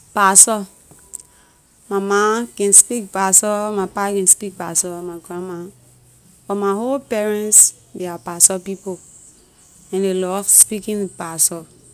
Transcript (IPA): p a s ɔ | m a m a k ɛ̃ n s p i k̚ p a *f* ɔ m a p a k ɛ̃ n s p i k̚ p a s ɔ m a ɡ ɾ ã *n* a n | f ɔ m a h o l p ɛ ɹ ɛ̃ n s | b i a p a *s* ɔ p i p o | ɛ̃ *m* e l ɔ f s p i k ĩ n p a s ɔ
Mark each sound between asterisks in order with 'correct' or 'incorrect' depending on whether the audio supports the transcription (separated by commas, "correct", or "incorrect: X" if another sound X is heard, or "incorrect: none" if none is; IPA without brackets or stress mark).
incorrect: s, incorrect: m, correct, incorrect: n